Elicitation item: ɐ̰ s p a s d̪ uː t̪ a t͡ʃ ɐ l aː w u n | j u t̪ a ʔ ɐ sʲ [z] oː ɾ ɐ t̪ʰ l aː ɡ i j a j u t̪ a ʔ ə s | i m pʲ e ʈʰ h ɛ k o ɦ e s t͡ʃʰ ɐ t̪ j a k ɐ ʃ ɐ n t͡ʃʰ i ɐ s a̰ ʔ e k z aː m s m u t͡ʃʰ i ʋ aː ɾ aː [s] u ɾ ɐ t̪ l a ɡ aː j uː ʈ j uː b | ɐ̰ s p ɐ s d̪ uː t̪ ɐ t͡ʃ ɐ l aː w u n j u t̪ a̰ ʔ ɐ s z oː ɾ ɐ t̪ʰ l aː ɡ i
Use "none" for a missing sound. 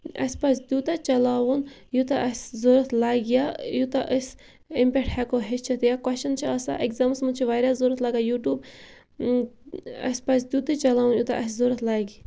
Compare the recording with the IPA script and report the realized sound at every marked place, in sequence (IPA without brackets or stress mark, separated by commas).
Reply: z, z